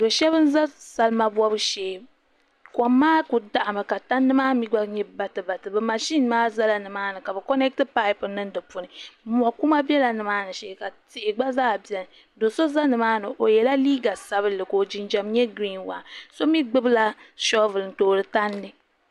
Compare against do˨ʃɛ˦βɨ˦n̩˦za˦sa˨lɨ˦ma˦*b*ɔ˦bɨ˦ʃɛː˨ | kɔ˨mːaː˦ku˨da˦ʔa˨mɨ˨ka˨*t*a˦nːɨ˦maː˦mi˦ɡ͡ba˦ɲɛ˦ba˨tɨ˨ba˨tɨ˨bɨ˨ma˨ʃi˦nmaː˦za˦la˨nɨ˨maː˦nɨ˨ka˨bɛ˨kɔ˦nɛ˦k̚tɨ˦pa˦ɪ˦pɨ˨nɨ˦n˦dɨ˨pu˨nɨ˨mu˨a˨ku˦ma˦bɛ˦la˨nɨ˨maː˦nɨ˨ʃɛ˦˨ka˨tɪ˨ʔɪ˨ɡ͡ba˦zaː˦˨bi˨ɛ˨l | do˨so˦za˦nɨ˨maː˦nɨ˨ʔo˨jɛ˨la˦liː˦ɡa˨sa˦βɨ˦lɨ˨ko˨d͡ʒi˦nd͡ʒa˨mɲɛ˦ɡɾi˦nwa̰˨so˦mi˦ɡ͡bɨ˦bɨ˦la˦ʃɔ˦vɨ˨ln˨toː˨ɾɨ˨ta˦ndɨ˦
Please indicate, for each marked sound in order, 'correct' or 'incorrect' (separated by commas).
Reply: correct, correct